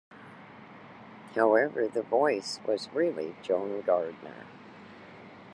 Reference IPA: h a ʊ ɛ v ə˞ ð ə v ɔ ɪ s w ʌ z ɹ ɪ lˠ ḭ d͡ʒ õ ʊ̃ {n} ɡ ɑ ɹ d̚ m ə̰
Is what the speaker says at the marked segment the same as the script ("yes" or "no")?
yes